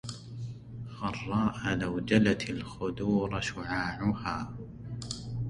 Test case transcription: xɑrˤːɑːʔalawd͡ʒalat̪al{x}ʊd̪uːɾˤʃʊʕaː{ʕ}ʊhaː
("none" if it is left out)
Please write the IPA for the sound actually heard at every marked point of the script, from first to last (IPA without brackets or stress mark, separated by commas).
x, ʕ